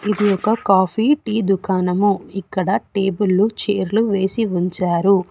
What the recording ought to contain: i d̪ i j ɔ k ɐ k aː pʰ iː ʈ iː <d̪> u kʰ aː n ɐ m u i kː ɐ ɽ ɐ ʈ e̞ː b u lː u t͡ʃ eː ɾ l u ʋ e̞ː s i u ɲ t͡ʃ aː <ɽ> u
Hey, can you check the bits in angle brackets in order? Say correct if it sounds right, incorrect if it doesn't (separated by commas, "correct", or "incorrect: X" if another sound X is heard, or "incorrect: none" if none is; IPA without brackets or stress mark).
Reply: correct, incorrect: ɾ